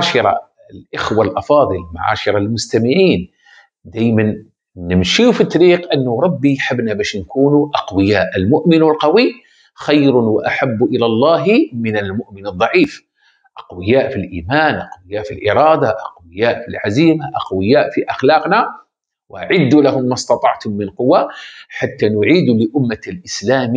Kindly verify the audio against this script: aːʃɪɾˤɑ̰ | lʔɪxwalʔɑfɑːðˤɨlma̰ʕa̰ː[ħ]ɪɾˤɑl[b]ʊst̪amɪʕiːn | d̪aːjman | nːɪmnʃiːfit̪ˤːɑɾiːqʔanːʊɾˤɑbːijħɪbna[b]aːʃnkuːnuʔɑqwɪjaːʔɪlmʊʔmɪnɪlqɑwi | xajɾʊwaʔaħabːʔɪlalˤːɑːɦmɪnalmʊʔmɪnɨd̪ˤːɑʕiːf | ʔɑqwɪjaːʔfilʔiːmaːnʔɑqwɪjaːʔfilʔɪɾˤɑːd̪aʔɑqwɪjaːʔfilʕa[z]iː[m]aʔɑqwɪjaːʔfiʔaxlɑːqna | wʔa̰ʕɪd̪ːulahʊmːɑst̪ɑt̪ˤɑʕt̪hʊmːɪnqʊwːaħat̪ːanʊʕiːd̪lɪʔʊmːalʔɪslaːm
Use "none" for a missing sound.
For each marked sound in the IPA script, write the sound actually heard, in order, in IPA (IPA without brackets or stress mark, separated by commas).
ʃ, m, b, z, m